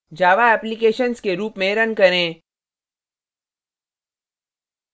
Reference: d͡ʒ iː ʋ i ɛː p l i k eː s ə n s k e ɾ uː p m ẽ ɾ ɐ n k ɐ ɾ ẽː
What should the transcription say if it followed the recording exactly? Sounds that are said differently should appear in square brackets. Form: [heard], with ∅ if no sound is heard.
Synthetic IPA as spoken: d͡ʒ [aː] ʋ [a] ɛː p l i k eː [ʃ] ə n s k e ɾ uː p m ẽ ɾ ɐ n k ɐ ɾ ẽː